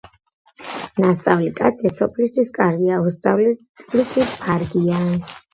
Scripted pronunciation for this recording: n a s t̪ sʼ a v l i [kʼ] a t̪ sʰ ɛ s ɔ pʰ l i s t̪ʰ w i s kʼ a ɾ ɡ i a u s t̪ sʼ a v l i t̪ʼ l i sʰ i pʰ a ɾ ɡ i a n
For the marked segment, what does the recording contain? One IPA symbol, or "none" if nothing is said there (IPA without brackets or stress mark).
kʼ